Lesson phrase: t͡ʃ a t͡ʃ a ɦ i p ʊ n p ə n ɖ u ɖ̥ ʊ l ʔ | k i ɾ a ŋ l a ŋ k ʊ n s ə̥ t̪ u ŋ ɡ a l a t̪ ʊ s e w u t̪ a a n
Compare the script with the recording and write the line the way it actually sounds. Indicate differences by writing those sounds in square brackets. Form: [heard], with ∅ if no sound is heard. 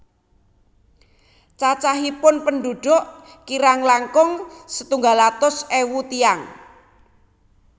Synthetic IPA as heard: t͡ʃ a t͡ʃ a ɦ i p ʊ n p ə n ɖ u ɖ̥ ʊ [∅] ʔ | k i ɾ a ŋ l a ŋ k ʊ [ŋ] s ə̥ t̪ u ŋ ɡ a l a t̪ ʊ s e w u t̪ [i] a [ŋ]